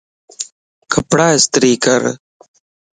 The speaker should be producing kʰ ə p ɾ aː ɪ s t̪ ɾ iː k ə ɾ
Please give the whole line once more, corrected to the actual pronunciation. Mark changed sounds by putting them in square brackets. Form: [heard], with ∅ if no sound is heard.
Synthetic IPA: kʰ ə p [ɽ] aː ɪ s t̪ ɾ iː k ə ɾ